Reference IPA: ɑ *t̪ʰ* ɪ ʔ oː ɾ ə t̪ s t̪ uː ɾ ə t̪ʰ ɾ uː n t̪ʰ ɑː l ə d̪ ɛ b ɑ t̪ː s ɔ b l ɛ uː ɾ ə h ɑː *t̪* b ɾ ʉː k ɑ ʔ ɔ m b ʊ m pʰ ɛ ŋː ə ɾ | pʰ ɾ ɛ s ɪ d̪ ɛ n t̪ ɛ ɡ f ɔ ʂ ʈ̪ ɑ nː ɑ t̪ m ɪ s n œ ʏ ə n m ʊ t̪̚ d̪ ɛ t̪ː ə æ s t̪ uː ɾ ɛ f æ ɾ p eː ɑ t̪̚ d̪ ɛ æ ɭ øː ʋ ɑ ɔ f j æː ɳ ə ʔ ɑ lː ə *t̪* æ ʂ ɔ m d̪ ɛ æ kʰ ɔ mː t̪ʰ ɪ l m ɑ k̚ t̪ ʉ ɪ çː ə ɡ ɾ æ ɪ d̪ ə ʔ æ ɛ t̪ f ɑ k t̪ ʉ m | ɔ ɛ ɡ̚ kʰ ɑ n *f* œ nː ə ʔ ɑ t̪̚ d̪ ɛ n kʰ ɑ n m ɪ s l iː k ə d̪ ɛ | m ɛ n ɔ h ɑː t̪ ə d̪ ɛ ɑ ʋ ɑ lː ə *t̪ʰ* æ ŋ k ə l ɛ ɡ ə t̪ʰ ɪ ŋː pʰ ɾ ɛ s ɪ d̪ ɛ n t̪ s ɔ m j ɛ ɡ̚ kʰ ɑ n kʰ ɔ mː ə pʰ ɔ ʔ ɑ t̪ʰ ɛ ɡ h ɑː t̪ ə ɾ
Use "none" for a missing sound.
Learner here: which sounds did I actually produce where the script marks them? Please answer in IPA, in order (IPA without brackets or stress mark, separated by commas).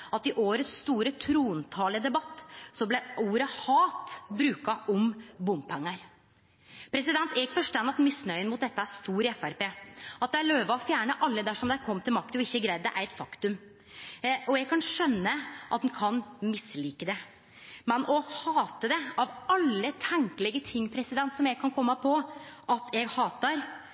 t̪, t̪, d̪, ʂ, t̪ʰ